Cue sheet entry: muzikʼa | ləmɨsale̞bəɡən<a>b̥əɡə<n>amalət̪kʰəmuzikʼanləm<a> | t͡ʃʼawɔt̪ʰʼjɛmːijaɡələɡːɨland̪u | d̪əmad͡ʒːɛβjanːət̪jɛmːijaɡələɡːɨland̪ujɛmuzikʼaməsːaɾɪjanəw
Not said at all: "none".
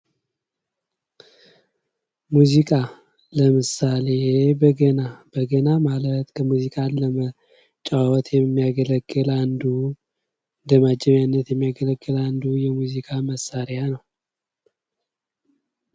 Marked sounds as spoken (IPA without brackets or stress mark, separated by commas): a, n, ə